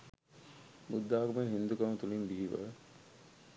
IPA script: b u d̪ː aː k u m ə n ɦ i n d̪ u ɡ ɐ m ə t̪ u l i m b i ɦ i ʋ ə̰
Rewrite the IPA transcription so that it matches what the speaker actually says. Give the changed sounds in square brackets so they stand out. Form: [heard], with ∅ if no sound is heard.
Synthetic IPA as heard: b u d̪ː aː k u m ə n ɦ i n d̪ u [k] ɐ m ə t̪ u l i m b i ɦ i ʋ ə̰